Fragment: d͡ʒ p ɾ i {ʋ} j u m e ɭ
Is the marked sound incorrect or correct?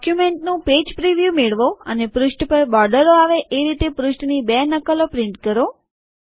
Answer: correct